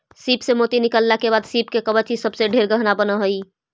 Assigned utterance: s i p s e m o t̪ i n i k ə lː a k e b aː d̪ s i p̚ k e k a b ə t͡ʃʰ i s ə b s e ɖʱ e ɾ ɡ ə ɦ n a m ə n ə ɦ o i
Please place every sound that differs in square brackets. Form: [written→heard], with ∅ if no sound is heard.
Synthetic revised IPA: s i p s e m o t̪ i n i k ə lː a k e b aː d̪ s i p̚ k e k [a→ə] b ə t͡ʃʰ i s ə b s e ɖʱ e ɾ ɡ ə ɦ n a [m→b] ə n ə ɦ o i